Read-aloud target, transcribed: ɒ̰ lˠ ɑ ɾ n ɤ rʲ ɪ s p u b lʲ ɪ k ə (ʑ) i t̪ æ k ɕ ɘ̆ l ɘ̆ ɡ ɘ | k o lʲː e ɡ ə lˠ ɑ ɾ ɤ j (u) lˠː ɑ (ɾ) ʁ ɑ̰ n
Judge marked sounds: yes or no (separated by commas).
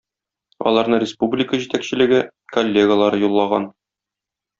yes, yes, no